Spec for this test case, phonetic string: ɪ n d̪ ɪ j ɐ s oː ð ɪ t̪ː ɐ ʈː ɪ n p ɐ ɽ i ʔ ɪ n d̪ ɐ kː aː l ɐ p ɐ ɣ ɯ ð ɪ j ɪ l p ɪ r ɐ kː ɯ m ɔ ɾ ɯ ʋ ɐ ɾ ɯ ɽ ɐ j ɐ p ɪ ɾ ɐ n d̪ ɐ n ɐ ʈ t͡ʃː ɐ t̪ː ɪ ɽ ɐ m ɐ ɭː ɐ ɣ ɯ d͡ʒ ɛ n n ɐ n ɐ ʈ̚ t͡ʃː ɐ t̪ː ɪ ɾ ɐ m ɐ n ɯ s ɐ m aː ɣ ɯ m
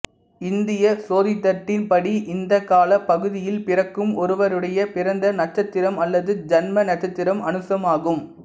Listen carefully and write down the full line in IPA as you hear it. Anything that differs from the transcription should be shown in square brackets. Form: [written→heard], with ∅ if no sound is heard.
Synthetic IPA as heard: ɪ n d̪ ɪ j ɐ s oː ð ɪ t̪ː ɐ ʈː ɪ n p ɐ ɽ i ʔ ɪ n d̪ ɐ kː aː l ɐ p ɐ ɣ ɯ ð ɪ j ɪ l p ɪ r ɐ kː ɯ m ɔ ɾ ɯ ʋ ɐ ɾ ɯ ɽ ɐ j ɐ p ɪ ɾ ɐ n d̪ ɐ n ɐ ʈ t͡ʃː ɐ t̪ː ɪ [ɽ→ɾ] ɐ m ɐ [ɭː→lː] ɐ [ɣ→ð] ɯ d͡ʒ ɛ n [n→m] ɐ n ɐ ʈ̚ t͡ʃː ɐ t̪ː ɪ ɾ ɐ m ɐ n ɯ s ɐ m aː ɣ ɯ m

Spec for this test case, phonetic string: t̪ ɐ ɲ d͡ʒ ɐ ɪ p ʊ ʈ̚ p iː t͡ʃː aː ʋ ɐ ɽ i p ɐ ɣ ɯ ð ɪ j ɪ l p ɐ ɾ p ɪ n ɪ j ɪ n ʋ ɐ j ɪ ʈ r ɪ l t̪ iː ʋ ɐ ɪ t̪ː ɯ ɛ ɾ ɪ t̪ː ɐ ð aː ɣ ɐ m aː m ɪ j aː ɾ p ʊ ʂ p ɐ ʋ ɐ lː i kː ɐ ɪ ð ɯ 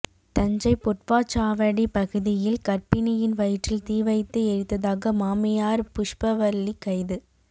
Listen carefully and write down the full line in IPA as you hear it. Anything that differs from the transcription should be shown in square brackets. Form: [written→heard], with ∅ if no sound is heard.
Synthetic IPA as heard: t̪ ɐ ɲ d͡ʒ ɐ ɪ p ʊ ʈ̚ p [iː→aː] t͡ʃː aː ʋ ɐ ɽ i p ɐ ɣ ɯ ð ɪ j ɪ l [p→k] ɐ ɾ p ɪ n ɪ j ɪ n ʋ ɐ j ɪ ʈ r ɪ l t̪ iː ʋ ɐ ɪ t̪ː ɯ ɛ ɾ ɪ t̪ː ɐ ð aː ɣ ɐ m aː m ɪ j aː ɾ p ʊ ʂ p ɐ ʋ ɐ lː i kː ɐ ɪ ð ɯ

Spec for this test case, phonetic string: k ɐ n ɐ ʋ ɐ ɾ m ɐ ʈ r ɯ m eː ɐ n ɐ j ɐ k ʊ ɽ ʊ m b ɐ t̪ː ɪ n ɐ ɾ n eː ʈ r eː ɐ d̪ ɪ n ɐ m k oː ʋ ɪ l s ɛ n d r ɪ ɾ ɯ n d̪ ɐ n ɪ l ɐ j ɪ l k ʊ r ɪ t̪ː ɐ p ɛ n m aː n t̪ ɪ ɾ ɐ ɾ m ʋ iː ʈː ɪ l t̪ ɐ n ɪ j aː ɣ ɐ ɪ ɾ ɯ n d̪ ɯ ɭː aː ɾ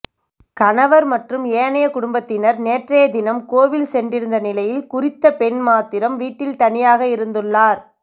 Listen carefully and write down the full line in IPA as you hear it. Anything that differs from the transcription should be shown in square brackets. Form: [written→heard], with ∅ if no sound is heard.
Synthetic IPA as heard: k ɐ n ɐ ʋ ɐ ɾ m ɐ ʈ r ɯ m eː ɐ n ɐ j ɐ k ʊ ɽ ʊ m b ɐ t̪ː ɪ n ɐ ɾ n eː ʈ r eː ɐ d̪ ɪ n ɐ m k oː ʋ ɪ l s ɛ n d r ɪ ɾ ɯ n d̪ ɐ n ɪ l ɐ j ɪ l k ʊ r ɪ t̪ː ɐ p ɛ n m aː [n→∅] t̪ ɪ ɾ ɐ [ɾ→∅] m ʋ iː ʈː ɪ l t̪ ɐ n ɪ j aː ɣ ɐ ɪ ɾ ɯ n d̪ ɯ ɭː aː ɾ

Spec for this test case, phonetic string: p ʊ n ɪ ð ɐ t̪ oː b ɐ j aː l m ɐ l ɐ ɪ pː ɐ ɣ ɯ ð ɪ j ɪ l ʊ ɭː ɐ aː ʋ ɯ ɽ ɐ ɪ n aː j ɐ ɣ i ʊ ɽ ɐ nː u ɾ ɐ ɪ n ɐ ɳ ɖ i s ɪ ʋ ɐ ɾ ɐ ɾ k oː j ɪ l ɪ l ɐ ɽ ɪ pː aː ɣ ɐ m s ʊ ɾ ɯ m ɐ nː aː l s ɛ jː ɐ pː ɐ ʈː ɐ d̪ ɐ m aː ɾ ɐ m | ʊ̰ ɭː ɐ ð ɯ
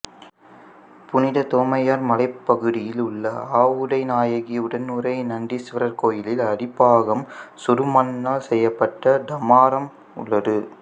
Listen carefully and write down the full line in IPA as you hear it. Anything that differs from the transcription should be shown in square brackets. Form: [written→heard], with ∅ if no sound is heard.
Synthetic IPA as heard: p ʊ n ɪ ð ɐ t̪ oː [b→m] ɐ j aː [l→ɾ] m ɐ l ɐ ɪ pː ɐ ɣ ɯ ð ɪ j ɪ l ʊ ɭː ɐ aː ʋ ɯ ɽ ɐ ɪ n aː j ɐ ɣ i ʊ ɽ ɐ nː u ɾ ɐ ɪ n ɐ ɳ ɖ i s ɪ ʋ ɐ ɾ ɐ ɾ k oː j ɪ l ɪ l ɐ ɽ ɪ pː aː ɣ ɐ m s ʊ ɾ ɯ m ɐ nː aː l s ɛ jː ɐ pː ɐ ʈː ɐ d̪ ɐ m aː ɾ ɐ m | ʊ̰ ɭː ɐ ð ɯ

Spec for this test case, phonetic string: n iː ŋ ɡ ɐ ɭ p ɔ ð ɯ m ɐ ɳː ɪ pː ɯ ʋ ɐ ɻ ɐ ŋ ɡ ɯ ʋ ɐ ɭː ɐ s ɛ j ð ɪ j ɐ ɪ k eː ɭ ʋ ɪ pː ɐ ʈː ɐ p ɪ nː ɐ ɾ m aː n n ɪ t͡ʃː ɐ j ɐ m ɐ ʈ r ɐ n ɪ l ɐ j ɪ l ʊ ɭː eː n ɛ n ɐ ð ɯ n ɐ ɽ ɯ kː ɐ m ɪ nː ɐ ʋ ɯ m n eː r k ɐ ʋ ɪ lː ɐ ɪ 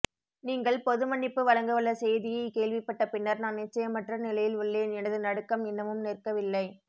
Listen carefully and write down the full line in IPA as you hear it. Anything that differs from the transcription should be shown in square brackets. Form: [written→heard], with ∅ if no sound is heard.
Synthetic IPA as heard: n iː ŋ ɡ ɐ ɭ p ɔ ð ɯ m ɐ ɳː ɪ pː ɯ ʋ ɐ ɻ ɐ ŋ ɡ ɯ ʋ ɐ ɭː ɐ s ɛ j ð ɪ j ɐ ɪ k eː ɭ ʋ ɪ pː ɐ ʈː ɐ p ɪ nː ɐ ɾ [m→n] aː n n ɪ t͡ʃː ɐ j ɐ m ɐ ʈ r ɐ n ɪ l ɐ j ɪ l ʊ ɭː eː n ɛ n ɐ ð ɯ n ɐ ɽ ɯ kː ɐ m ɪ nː ɐ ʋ ɯ m n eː r k ɐ ʋ ɪ lː ɐ ɪ

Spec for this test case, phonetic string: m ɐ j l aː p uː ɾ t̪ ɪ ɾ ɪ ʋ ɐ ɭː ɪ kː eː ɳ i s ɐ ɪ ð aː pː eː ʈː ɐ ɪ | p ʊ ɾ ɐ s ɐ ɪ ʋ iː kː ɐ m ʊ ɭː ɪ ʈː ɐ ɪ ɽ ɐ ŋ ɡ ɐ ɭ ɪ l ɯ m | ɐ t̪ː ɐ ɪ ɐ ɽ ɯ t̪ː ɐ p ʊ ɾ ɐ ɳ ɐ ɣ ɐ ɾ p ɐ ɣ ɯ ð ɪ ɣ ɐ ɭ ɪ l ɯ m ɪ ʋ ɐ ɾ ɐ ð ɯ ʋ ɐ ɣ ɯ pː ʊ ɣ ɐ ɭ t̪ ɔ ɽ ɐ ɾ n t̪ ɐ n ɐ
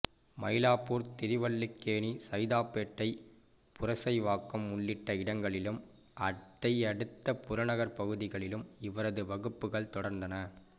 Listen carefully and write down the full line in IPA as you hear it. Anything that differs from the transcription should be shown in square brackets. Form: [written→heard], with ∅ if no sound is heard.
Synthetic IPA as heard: m ɐ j l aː p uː ɾ t̪ ɪ ɾ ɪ ʋ ɐ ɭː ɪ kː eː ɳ i s ɐ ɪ ð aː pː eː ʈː ɐ ɪ | p ʊ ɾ ɐ s ɐ ɪ ʋ [iː→aː] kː ɐ m ʊ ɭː ɪ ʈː ɐ ɪ ɽ ɐ ŋ ɡ ɐ ɭ ɪ l ɯ m | ɐ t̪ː ɐ ɪ ɐ ɽ ɯ t̪ː ɐ p ʊ ɾ ɐ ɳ ɐ ɣ ɐ ɾ p ɐ ɣ ɯ ð ɪ ɣ ɐ ɭ ɪ l ɯ m ɪ ʋ ɐ ɾ ɐ ð ɯ ʋ ɐ ɣ ɯ pː [ʊ→ɯ] ɣ ɐ ɭ t̪ ɔ ɽ ɐ ɾ n [t̪→d̪] ɐ n ɐ

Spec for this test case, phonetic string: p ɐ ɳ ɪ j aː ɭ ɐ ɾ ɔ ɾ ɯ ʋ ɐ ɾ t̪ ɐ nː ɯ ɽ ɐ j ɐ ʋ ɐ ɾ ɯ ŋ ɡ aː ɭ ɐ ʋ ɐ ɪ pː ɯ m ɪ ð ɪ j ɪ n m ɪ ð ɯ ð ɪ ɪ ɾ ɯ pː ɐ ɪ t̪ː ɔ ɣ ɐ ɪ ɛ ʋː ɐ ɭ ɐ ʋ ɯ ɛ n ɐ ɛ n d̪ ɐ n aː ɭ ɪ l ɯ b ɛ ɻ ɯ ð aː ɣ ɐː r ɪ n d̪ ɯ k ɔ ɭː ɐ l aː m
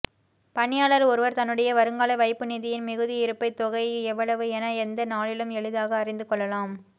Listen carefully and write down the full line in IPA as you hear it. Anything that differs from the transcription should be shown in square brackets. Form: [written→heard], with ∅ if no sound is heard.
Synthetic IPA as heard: p ɐ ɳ ɪ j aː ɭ ɐ ɾ ɔ ɾ ɯ ʋ ɐ ɾ t̪ ɐ nː ɯ ɽ ɐ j ɐ ʋ ɐ ɾ ɯ ŋ ɡ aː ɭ ɐ ʋ ɐ ɪ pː ɯ [m→n] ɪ ð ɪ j ɪ n m ɪ [ð→ɣ] ɯ ð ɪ ɪ ɾ ɯ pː ɐ ɪ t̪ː ɔ ɣ ɐ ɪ ɛ ʋː ɐ ɭ ɐ ʋ ɯ ɛ n ɐ ɛ n d̪ ɐ n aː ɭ ɪ l ɯ [b→m] ɛ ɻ ɯ ð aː ɣ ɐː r ɪ n d̪ ɯ k ɔ ɭː ɐ l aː m

